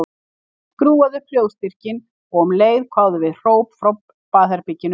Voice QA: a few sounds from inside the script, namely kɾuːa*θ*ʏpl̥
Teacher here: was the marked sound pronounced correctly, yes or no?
no